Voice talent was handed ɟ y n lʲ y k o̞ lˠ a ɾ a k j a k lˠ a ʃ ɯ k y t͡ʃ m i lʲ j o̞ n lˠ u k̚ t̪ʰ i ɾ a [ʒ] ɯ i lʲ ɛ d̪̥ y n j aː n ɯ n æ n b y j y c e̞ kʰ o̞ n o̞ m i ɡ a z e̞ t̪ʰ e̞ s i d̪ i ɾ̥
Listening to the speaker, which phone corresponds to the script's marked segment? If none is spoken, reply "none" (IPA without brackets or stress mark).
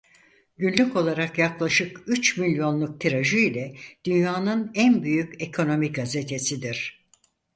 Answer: ʒ